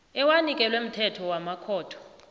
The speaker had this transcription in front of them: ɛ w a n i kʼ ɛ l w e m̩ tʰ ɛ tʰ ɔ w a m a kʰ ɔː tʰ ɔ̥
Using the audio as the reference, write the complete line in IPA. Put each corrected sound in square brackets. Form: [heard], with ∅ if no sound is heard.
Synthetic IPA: ɛ w a n i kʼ ɛ l w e m̩ tʰ ɛ tʰ ɔ w a m a kʰ ɔː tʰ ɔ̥